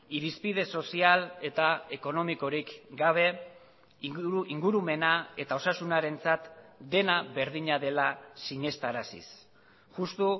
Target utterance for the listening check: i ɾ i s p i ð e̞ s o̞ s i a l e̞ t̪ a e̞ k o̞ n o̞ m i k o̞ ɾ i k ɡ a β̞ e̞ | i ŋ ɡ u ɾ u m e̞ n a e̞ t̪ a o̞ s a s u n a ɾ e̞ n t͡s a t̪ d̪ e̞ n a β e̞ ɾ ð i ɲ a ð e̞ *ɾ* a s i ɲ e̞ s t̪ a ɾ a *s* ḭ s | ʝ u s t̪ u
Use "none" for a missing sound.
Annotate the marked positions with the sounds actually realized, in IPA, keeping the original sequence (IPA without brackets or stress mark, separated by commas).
l, s